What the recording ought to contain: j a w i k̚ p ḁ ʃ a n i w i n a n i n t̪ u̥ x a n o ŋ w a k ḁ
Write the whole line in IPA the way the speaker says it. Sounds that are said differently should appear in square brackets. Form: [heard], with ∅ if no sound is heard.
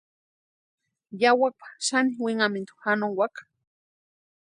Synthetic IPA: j a w [a] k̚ p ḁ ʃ a n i w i [ŋ] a [m] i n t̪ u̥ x a n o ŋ w a k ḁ

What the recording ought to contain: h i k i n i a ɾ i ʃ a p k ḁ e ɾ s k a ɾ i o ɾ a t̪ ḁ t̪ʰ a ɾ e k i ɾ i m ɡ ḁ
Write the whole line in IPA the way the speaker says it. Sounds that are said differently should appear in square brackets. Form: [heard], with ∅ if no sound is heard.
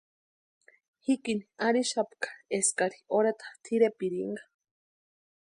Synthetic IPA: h i k i n i a ɾ i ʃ a p k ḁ e [∅] s k a ɾ i o ɾ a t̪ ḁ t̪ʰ [i] ɾ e [p] i ɾ i [ŋ] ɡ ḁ

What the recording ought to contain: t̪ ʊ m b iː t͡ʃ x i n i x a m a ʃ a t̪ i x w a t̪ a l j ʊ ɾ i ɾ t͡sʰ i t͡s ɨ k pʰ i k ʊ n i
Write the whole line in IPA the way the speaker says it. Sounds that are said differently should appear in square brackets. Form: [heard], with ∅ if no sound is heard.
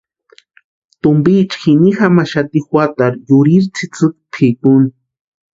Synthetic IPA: t̪ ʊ m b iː t͡ʃ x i n i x a m a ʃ a t̪ i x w a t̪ a [ɾ] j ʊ ɾ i ɾ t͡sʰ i t͡s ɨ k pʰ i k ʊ n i

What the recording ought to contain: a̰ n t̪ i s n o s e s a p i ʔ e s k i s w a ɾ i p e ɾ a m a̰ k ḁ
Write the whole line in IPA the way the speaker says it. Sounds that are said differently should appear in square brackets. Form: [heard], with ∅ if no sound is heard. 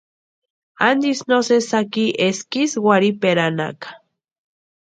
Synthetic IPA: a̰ n [d̪] i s n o s e s a [k] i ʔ e s k i s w a ɾ i p e ɾ a [n] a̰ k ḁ

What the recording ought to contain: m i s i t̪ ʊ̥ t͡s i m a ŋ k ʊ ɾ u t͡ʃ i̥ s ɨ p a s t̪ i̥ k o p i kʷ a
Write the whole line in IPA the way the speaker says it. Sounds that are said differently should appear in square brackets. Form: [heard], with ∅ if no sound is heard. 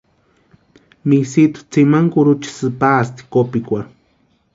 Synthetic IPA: m i s i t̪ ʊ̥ t͡s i m a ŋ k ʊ ɾ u t͡ʃ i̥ s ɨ p a s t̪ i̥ k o p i kʷ a

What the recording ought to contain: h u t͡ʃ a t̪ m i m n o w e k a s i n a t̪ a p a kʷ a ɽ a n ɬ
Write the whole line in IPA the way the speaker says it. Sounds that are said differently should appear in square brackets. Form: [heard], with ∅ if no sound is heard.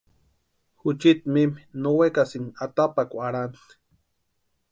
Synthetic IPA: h u t͡ʃ [i] t̪ m i m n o w e k a s i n a t̪ a p a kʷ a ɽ a n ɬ

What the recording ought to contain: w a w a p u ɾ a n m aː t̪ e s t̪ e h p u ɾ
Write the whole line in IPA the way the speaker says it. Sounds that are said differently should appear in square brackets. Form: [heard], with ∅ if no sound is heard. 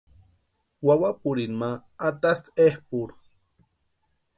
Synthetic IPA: w a w a p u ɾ [i] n m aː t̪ [a] s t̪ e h p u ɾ

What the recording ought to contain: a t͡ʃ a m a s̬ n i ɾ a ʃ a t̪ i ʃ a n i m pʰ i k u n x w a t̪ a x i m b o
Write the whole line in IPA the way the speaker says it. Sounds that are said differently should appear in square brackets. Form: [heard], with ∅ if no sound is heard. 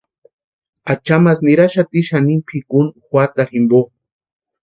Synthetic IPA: a t͡ʃ a m a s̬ n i ɾ a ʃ a t̪ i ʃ a n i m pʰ i k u n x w a t̪ a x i m b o

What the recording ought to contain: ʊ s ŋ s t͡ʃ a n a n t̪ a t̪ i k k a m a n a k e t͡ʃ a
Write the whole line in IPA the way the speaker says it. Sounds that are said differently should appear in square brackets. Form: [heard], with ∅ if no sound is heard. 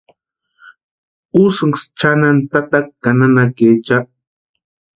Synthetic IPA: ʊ s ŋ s t͡ʃ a n a n t̪ a t̪ [a] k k a [n] a n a k e t͡ʃ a

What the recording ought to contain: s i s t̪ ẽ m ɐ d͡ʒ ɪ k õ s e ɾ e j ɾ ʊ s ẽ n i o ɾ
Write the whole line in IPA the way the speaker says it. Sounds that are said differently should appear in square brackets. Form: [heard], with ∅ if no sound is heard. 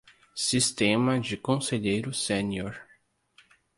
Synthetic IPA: s i s t̪ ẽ m ɐ d͡ʒ ɪ k õ s e [ʎ] e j ɾ ʊ s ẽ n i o ɾ

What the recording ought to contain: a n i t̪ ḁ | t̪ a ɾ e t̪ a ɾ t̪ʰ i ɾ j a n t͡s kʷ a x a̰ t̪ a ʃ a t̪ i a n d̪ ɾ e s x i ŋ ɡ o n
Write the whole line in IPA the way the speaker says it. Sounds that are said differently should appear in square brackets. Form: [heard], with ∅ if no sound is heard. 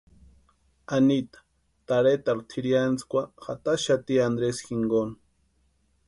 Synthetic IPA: a n i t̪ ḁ | t̪ a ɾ e t̪ a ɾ t̪ʰ i ɾ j a n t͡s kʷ a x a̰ t̪ a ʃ a t̪ i a n d̪ ɾ e s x i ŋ ɡ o n

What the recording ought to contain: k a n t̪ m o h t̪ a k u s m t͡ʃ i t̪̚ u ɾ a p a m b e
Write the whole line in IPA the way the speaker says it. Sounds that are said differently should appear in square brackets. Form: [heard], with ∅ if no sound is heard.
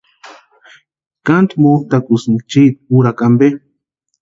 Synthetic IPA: k a n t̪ m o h t̪ a k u s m t͡ʃ i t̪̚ u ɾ a [k] a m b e

